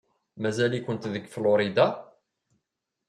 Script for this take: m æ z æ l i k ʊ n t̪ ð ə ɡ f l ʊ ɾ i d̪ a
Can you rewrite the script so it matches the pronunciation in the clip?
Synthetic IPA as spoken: m æ z æ l i k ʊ n t̪ ð ə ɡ f l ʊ ɾ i d̪ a